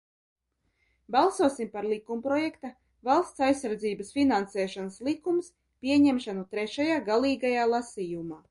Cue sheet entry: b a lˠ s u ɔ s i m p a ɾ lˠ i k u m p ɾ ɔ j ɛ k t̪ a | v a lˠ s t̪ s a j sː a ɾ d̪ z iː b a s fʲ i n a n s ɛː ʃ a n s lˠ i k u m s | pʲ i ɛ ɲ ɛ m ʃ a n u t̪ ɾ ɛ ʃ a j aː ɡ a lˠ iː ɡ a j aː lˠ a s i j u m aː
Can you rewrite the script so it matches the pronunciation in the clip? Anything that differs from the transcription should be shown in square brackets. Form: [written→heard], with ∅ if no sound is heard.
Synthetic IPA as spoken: b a lˠ s u ɔ s i m p a ɾ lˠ i k u m p ɾ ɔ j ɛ k t̪ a | v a lˠ s t̪ s a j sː a ɾ d̪ z iː b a s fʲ i n a n s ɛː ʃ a n s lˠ i k u m s | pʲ i ɛ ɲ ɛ m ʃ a n u t̪ ɾ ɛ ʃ a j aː ɡ a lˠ iː ɡ a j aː lˠ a s i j u m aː

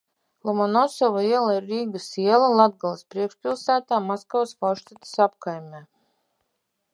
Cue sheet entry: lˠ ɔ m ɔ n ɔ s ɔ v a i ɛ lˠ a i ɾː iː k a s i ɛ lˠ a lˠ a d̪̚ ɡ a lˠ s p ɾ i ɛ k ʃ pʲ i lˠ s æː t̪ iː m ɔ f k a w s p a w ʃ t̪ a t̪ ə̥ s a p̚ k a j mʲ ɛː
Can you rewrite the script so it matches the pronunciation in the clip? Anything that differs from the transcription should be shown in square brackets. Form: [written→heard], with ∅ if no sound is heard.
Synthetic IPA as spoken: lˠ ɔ m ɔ n ɔ s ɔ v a i ɛ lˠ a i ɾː iː [k→ɡ] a s i ɛ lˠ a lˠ a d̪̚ ɡ a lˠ s p ɾ i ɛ k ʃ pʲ i lˠ s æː t̪ [iː→aː] m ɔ [f→s] k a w s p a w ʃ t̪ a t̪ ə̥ s a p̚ k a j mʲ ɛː

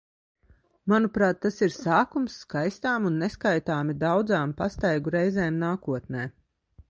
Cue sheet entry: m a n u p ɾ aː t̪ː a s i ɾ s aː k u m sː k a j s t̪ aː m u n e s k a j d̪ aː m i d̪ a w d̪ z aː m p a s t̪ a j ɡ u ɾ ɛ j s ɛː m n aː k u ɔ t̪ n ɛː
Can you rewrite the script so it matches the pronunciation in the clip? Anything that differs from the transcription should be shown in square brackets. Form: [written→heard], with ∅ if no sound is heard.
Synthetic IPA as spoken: m a n u p ɾ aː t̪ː a s i ɾ s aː k u m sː k a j s t̪ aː m u [n→nː] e s k a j [d̪→t̪] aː m i d̪ a w d̪ z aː m p a s t̪ a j ɡ u ɾ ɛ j [s→z] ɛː m n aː k u ɔ t̪ n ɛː

